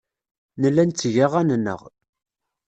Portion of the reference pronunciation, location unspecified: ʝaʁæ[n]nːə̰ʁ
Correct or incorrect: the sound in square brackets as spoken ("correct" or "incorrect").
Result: correct